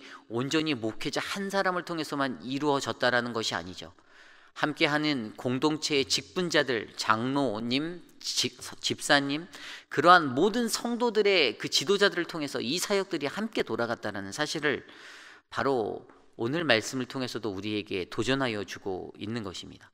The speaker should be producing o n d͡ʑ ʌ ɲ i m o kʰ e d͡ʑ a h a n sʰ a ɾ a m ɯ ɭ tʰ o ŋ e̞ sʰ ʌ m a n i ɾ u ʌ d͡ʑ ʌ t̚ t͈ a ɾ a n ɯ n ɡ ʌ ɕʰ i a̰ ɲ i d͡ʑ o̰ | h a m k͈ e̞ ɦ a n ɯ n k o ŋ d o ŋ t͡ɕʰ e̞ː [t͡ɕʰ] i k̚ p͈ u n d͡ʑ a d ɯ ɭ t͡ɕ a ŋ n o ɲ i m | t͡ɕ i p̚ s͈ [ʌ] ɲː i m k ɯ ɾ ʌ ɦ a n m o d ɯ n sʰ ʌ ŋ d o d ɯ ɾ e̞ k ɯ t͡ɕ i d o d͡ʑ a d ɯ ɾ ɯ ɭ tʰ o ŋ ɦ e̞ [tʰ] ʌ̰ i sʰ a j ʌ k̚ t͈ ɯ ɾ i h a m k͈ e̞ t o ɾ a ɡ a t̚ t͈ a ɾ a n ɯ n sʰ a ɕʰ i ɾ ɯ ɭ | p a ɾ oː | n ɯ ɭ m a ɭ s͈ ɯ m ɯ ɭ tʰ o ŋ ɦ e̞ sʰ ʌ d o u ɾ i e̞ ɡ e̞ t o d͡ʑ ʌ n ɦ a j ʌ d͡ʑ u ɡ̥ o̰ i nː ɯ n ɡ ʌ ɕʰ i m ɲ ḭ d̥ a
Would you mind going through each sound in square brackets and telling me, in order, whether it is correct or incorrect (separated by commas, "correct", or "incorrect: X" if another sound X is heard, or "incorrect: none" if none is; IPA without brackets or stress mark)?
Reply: incorrect: t͡ɕ, incorrect: a, incorrect: sʰ